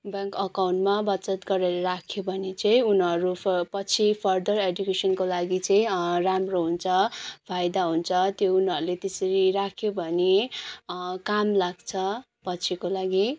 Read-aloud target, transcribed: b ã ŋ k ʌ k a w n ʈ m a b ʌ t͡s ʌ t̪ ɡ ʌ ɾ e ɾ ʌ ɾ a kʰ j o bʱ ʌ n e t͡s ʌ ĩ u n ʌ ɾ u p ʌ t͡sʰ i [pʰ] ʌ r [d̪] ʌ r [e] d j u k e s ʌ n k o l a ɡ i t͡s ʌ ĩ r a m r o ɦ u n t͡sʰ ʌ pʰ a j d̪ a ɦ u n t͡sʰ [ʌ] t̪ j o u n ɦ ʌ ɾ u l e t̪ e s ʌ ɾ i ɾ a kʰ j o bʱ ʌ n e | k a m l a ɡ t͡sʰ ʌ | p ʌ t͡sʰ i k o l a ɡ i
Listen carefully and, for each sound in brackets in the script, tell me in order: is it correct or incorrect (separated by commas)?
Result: correct, correct, correct, correct